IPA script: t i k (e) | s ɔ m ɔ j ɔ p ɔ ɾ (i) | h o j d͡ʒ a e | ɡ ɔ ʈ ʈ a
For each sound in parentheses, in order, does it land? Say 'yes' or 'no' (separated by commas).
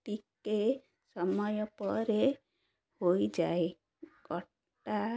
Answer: yes, no